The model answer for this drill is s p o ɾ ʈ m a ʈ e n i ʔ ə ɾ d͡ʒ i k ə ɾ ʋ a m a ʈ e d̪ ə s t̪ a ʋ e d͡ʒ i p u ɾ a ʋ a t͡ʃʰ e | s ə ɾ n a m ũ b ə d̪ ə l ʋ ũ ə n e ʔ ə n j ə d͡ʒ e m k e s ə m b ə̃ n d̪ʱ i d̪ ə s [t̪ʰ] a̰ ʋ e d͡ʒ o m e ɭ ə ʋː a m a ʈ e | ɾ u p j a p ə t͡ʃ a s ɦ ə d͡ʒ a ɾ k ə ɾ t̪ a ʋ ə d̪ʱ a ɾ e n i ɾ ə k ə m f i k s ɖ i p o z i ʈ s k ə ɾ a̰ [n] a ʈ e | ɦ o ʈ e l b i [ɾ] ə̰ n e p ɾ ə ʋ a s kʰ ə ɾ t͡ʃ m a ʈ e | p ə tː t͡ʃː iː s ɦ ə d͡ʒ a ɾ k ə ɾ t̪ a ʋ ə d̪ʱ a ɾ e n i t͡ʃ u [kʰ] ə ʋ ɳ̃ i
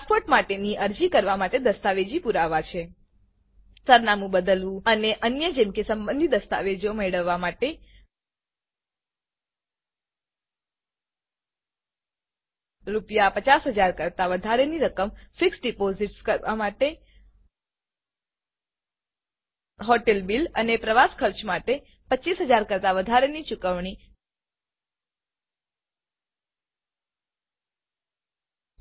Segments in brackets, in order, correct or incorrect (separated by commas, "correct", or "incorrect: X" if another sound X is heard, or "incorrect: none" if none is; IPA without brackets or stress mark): incorrect: t̪, incorrect: m, incorrect: l, incorrect: k